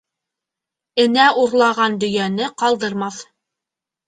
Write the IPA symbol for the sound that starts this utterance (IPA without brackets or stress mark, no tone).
ɘ̆